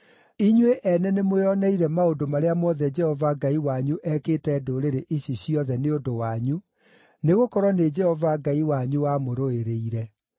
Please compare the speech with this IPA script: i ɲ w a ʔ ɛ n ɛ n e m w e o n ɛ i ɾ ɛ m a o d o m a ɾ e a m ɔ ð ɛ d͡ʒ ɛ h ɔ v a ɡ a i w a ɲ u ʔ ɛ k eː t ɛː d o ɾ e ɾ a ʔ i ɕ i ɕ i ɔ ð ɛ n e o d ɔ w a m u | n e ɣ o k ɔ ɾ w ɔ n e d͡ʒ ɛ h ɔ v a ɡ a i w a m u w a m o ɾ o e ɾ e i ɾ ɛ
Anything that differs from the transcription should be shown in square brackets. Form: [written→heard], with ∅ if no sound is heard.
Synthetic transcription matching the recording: i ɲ w [a→e] ʔ ɛ n ɛ n e m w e [o→ɔ] n ɛ i ɾ ɛ m a o d o m a ɾ e a m ɔ ð ɛ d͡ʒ ɛ h ɔ v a ɡ a i w a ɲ u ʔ ɛ k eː t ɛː d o ɾ e ɾ [a→e] ʔ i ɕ i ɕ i ɔ ð ɛ n e o d [ɔ→o] w a [m→ɲ] u | n e ɣ o k ɔ ɾ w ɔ n e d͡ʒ ɛ h ɔ v a ɡ a i w a [m→ɲ] u w a m o ɾ o e ɾ e i ɾ ɛ